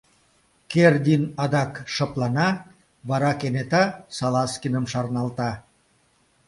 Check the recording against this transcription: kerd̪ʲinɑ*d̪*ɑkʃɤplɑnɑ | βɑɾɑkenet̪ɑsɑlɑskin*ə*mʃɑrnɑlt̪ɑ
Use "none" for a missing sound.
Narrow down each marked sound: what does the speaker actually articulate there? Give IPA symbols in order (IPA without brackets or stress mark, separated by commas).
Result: d̪, ə